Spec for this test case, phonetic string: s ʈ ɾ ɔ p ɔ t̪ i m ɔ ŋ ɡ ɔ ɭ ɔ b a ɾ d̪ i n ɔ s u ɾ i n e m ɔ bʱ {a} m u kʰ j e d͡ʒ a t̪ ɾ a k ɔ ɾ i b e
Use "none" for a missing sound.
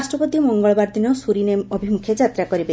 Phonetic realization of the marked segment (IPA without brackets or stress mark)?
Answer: i